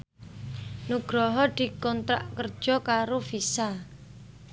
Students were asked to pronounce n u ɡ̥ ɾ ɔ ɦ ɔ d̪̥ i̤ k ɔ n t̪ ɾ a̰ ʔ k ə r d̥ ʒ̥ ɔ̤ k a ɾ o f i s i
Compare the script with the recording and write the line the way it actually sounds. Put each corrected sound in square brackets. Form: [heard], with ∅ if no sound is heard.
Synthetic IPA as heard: n u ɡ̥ ɾ ɔ ɦ ɔ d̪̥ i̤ k ɔ n t̪ ɾ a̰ ʔ k ə r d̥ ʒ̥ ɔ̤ k a ɾ o f i s [a]